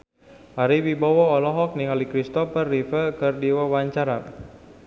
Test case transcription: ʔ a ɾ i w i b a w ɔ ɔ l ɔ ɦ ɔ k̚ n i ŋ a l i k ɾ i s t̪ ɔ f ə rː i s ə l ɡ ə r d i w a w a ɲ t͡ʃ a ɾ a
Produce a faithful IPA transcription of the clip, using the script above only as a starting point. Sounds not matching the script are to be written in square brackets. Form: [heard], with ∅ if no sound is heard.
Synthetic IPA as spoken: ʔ a ɾ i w i b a w ɔ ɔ l ɔ ɦ ɔ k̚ n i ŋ a l i k ɾ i s t̪ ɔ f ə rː i [f] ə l [k] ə r d i w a w a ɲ t͡ʃ a ɾ a